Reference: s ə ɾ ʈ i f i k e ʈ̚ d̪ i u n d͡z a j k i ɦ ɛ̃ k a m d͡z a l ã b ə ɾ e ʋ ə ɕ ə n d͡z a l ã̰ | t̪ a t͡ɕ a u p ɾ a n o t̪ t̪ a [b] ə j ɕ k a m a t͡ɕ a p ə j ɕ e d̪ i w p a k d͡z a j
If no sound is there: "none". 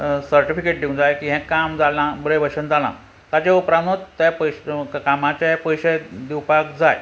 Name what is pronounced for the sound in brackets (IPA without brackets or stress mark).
p